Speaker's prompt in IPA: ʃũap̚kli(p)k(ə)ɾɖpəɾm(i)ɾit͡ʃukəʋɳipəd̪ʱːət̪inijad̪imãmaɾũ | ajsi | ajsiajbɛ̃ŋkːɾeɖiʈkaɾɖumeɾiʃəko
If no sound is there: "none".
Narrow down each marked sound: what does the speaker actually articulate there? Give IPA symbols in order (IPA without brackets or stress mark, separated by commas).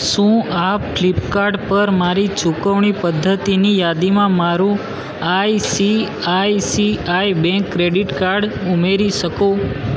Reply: p, a, a